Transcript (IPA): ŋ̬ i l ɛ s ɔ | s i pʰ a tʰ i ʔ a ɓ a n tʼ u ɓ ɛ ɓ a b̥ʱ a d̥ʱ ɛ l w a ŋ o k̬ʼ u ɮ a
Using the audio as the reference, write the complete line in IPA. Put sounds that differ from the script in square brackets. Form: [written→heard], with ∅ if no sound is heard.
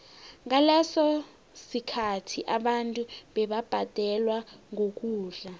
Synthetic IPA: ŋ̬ [i→a] l ɛ s ɔ | s i [pʰ→kʰ] a tʰ i ʔ a ɓ a n tʼ u ɓ ɛ ɓ a b̥ʱ a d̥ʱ ɛ l w a ŋ o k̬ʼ [u→uː] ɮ a